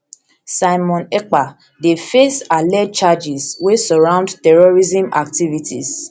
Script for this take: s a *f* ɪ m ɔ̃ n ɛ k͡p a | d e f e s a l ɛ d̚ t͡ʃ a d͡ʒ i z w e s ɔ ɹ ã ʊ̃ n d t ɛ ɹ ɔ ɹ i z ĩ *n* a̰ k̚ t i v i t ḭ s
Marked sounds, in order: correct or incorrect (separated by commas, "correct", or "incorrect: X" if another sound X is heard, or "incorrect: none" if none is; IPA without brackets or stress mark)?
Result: incorrect: none, incorrect: m